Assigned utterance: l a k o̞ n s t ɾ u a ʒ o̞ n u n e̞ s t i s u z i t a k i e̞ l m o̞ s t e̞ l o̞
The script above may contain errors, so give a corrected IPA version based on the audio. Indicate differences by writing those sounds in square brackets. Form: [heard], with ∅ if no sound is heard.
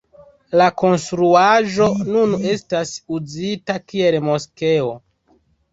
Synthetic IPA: l a k o̞ n s t ɾ u a ʒ o̞ n u n e̞ s t [a] s u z i t a k i e̞ l m o̞ s [k] e̞ [∅] o̞